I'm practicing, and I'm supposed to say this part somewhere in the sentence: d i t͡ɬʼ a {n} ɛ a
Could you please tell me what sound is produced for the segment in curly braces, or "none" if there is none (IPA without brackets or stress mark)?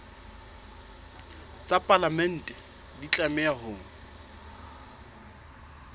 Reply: m